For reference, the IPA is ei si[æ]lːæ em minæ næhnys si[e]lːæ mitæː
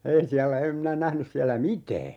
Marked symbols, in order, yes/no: yes, no

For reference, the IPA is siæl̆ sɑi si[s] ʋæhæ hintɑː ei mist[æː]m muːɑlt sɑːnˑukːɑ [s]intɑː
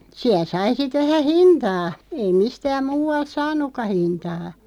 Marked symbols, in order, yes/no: no, yes, no

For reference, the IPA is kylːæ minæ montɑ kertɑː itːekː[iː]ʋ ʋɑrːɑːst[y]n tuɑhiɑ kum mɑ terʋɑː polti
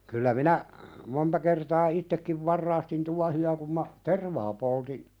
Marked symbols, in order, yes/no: no, no

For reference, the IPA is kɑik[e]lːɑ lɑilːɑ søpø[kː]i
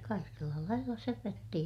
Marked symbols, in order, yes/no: yes, no

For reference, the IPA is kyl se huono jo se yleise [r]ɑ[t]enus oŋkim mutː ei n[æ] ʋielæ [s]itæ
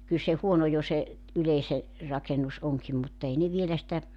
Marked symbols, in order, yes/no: yes, no, no, yes

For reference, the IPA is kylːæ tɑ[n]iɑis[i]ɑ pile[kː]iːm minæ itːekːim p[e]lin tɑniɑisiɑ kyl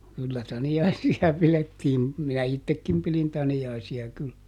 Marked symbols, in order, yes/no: yes, yes, no, no

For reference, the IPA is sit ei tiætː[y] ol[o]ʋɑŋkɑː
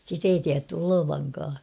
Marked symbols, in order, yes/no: yes, yes

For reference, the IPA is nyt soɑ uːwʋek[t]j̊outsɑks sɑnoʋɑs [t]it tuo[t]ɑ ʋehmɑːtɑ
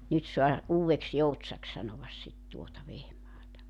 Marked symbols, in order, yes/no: no, no, yes

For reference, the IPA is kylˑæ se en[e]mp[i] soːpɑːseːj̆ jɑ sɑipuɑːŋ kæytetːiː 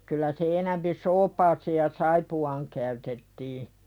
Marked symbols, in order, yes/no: no, yes

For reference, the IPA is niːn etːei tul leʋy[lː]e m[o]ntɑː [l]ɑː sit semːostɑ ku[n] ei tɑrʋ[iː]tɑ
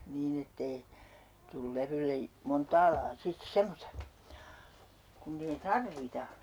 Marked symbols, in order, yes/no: yes, yes, yes, no, no

